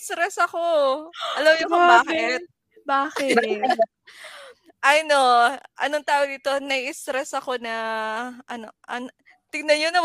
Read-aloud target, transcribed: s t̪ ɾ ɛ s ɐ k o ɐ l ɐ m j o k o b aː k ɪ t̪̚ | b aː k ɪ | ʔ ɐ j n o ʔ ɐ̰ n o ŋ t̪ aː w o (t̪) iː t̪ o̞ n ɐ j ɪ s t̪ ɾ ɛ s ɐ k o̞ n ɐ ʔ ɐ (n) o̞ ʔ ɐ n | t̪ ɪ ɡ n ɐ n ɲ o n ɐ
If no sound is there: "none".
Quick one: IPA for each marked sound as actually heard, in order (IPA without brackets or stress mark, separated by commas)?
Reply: d̪, n